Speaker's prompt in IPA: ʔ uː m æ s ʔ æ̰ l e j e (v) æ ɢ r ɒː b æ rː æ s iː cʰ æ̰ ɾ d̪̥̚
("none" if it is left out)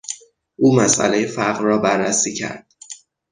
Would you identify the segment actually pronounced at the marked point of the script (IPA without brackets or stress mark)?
f